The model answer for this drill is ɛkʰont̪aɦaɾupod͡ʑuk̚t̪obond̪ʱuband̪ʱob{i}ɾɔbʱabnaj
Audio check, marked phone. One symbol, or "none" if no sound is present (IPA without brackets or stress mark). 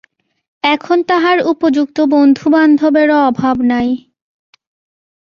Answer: e